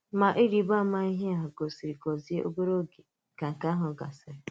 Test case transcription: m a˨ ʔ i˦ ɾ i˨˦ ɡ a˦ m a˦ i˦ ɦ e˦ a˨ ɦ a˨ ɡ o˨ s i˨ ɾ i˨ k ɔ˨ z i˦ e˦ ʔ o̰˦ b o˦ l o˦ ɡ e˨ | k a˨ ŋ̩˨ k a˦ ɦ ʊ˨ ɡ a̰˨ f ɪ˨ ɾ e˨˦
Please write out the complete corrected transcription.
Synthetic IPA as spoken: m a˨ ʔ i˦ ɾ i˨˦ b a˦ m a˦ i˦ ɦ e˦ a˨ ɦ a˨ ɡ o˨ s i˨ ɾ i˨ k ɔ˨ z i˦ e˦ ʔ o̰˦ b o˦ ɾ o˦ ɡ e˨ | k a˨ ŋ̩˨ k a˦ ɦ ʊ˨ ɡ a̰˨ s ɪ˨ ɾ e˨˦